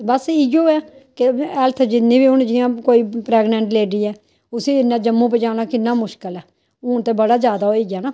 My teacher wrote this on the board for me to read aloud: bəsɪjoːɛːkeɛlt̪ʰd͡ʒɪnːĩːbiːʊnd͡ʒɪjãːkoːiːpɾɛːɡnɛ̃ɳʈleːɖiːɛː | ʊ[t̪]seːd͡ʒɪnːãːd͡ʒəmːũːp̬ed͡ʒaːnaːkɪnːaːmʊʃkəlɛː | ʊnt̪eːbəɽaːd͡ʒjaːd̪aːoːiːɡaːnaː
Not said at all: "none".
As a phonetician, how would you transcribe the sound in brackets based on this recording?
none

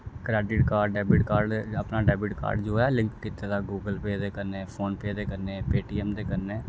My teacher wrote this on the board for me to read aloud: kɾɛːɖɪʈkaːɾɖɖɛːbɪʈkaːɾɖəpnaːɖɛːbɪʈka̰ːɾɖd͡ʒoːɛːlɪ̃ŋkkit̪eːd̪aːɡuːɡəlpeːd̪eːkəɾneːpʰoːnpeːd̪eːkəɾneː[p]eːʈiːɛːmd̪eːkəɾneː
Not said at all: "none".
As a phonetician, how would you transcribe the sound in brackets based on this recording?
p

